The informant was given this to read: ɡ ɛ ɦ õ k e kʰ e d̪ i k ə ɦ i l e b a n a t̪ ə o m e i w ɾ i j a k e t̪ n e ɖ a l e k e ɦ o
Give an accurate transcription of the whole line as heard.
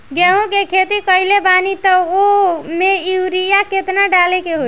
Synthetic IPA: ɡ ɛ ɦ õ k e kʰ e t̪ i k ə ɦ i l e b a n i t̪ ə o m e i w ɾ i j a k e t̪ n a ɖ a l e k e ɦ o